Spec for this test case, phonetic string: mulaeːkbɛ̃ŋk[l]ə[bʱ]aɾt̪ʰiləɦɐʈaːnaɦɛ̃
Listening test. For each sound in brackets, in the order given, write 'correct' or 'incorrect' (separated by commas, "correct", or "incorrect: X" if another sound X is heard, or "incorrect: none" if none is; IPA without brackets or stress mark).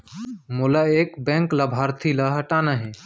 correct, correct